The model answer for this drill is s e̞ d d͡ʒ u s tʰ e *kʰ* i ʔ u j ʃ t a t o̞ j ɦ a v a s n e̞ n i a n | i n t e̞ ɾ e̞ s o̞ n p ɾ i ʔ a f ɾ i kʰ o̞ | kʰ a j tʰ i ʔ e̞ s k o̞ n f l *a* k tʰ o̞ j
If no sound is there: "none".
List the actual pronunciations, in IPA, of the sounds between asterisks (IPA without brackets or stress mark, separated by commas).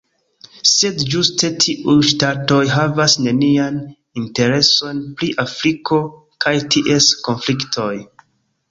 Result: tʰ, i